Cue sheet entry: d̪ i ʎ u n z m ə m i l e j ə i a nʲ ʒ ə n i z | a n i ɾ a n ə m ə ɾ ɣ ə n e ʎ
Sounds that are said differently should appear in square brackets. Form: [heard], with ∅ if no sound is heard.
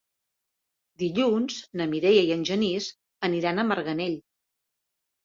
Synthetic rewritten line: d̪ i ʎ u n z [n] ə m i [ɾ] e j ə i [ə] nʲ ʒ ə n i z | [ə] n i ɾ a n ə m ə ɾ ɣ ə n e ʎ